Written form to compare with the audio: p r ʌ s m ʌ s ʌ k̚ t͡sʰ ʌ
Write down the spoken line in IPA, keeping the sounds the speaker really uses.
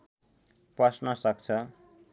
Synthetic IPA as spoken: p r ʌ s n ʌ s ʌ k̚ t͡sʰ ʌ